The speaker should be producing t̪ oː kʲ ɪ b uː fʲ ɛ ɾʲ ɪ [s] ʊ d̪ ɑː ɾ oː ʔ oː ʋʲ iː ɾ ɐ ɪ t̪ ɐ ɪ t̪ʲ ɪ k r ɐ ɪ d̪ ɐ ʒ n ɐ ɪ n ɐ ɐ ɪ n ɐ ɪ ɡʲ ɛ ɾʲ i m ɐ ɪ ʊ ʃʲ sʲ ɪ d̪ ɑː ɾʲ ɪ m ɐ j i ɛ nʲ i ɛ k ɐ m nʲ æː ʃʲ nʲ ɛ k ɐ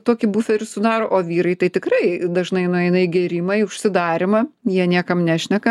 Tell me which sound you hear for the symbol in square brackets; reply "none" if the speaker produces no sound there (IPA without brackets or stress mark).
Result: s